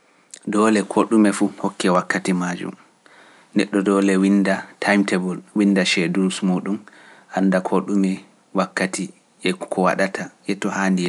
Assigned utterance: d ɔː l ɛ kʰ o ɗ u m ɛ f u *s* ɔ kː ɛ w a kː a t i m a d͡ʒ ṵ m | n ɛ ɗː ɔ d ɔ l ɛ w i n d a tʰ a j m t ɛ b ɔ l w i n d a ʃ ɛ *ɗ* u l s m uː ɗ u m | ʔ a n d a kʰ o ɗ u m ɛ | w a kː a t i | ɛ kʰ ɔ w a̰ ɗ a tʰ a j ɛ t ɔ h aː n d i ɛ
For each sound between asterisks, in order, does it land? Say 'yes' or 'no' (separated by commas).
no, no